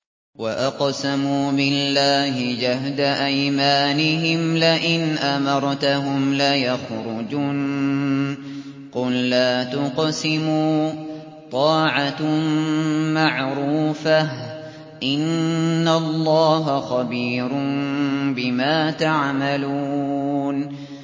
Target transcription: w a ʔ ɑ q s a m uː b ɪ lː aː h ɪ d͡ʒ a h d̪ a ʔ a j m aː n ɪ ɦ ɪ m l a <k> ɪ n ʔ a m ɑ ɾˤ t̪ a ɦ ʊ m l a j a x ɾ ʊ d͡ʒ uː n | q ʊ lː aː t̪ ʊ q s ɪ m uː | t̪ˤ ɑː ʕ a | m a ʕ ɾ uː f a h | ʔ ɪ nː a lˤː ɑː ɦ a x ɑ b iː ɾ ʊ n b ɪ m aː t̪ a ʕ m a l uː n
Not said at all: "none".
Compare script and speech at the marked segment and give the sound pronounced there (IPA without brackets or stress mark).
ʔ